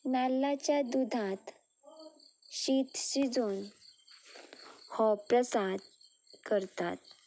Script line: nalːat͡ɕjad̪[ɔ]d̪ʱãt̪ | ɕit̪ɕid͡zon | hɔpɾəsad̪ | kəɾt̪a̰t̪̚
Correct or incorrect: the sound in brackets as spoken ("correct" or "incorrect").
incorrect